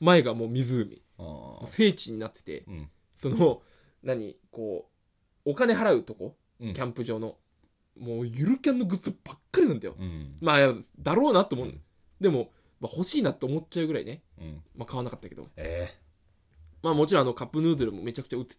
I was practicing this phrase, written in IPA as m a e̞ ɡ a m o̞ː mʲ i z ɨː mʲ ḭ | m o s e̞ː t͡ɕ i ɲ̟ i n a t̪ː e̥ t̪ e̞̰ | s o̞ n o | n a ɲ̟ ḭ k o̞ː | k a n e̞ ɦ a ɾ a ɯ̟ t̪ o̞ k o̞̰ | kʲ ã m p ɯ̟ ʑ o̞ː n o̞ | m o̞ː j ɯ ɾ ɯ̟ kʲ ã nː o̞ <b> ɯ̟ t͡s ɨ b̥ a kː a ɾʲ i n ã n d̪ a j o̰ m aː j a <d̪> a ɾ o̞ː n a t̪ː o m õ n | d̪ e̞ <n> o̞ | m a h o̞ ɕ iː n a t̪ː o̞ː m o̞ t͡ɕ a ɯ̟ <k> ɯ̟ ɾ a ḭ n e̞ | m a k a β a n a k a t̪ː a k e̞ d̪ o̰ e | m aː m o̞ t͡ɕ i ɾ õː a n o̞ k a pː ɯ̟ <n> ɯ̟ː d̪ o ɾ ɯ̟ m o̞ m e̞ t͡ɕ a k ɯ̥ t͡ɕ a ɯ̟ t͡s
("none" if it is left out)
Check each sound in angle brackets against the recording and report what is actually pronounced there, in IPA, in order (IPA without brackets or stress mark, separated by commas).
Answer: ɡ, d̪, m, ɡ, n